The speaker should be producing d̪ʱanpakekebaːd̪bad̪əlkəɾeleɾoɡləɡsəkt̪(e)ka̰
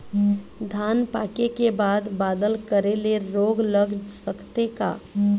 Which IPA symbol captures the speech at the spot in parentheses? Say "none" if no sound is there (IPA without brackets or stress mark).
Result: e